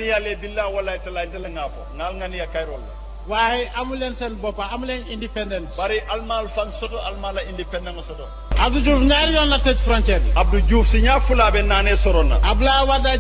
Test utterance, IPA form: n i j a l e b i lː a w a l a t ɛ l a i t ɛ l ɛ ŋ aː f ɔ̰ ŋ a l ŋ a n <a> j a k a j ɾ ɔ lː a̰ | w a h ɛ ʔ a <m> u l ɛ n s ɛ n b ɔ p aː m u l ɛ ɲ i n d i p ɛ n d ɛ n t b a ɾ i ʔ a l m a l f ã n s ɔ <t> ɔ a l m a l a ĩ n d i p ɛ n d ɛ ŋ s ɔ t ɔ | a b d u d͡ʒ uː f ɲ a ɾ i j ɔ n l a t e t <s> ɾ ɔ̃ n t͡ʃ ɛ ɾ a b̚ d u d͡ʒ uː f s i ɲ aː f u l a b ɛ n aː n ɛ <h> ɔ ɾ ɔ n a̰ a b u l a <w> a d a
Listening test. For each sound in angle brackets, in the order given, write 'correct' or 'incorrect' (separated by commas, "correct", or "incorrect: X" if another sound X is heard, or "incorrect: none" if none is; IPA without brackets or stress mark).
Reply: incorrect: i, correct, correct, incorrect: f, incorrect: s, correct